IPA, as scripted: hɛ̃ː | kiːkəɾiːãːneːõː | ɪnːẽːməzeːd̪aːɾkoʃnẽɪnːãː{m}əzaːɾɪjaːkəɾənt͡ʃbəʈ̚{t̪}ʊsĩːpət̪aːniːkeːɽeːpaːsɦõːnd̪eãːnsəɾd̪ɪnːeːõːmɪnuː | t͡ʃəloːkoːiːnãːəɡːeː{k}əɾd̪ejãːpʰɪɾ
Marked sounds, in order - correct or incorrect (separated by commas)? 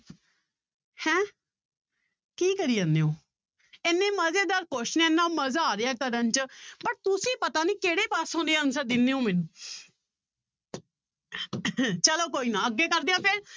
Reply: correct, correct, correct